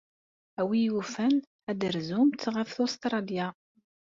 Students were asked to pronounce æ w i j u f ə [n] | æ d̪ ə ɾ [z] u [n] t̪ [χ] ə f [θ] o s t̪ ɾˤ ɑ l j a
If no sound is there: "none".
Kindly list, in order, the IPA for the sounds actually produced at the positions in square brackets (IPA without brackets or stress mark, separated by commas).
n, z, m, ʁ, θ